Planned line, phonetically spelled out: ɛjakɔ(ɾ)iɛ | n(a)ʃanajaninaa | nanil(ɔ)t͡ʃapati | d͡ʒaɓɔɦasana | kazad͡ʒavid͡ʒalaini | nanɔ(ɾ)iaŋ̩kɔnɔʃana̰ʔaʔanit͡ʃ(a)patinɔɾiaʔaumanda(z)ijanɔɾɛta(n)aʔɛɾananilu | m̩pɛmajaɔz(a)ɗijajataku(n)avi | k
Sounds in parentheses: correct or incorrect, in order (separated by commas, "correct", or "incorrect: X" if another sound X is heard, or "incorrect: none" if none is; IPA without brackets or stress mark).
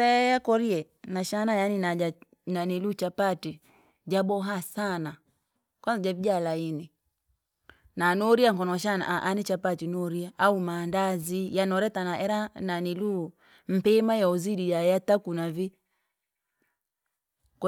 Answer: correct, correct, incorrect: u, correct, correct, correct, correct, incorrect: i, correct